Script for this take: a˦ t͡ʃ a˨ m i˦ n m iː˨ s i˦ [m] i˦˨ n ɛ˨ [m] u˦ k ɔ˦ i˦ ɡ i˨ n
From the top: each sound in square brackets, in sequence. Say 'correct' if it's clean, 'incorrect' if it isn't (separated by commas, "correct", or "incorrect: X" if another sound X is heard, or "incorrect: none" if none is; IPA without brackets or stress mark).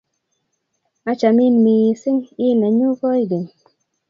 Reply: incorrect: ŋ, incorrect: ɲ